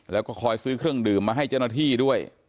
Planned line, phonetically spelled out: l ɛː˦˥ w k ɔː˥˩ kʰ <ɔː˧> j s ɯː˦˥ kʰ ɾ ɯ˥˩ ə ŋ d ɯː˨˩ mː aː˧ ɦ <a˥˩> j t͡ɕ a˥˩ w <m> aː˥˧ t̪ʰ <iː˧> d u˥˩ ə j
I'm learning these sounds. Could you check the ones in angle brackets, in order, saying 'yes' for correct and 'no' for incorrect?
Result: yes, yes, no, no

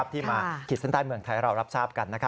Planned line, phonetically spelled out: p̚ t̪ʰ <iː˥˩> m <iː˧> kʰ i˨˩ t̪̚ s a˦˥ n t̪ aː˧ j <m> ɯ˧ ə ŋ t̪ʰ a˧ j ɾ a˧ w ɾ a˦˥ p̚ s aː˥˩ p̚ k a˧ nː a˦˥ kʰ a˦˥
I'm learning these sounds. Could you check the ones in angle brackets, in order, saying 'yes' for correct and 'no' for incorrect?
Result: yes, no, yes

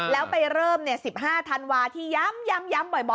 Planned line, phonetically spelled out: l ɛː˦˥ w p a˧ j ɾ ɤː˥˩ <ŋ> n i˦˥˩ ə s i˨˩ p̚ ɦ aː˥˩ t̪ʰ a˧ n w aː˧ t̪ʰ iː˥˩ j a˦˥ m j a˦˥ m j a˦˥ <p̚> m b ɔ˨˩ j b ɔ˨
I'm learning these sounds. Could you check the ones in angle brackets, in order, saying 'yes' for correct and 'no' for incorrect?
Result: no, no

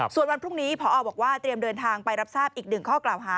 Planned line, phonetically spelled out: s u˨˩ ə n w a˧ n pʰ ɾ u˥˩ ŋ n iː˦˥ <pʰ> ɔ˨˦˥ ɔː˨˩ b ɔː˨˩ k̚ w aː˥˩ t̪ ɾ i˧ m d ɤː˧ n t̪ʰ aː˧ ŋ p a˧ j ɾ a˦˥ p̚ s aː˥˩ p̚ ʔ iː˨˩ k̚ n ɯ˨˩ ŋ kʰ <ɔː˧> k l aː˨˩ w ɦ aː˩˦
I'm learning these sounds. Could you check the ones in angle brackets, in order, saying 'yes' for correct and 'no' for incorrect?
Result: yes, no

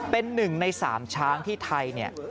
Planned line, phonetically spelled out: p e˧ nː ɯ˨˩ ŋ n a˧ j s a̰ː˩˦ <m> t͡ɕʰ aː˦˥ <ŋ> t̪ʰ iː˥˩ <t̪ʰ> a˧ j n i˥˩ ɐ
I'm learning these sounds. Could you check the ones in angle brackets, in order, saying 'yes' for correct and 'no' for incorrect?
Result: yes, yes, yes

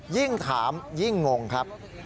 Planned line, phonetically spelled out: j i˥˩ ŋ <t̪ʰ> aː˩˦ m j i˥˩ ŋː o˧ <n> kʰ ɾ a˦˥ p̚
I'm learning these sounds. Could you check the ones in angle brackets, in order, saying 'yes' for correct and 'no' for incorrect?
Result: yes, no

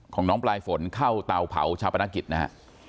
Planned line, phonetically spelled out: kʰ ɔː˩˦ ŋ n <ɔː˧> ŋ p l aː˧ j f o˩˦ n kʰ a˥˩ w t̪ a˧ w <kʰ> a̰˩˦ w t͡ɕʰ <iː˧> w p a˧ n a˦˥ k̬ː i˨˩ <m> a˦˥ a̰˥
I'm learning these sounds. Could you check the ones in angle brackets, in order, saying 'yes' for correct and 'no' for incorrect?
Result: no, no, no, no

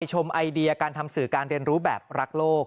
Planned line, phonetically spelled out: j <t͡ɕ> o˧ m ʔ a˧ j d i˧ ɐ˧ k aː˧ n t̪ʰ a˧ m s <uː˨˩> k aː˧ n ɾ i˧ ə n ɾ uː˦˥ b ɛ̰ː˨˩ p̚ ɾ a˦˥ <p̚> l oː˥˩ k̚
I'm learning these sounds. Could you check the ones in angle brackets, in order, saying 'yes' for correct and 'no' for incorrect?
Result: no, no, no

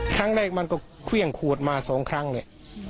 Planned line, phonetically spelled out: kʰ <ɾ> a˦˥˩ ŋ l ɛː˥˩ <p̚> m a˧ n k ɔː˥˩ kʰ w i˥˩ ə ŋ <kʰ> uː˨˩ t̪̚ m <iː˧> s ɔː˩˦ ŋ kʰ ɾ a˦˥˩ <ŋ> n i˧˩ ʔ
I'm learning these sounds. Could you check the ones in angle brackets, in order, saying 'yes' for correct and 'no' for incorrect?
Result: yes, no, yes, no, yes

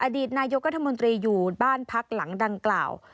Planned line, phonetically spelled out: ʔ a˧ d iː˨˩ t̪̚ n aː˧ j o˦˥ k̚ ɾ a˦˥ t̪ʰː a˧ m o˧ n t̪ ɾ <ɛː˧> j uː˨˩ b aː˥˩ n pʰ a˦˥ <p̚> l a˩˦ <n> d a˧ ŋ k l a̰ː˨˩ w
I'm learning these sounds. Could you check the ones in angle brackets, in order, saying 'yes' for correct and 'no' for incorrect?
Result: no, no, no

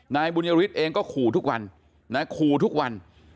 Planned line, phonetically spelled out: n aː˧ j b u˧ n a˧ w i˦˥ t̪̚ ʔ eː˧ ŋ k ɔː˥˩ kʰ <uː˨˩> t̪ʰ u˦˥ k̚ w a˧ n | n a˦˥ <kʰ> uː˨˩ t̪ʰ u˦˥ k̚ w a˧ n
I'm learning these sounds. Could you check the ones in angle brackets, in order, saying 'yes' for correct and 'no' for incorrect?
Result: yes, yes

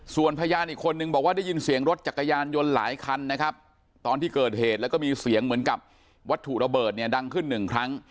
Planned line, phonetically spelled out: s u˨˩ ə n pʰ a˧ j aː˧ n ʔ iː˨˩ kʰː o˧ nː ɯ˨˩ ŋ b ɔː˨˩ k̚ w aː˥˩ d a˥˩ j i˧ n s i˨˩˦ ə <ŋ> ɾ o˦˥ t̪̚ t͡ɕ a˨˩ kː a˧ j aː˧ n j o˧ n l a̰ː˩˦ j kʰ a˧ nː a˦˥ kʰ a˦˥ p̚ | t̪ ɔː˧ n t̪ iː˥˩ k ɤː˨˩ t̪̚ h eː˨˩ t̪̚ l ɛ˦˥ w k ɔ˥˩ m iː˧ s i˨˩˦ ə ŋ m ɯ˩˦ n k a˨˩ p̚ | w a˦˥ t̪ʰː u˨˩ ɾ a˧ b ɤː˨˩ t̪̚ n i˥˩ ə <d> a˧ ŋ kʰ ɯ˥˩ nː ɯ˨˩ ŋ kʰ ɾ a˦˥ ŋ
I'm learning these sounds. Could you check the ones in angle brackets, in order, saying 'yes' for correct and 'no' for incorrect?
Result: yes, yes

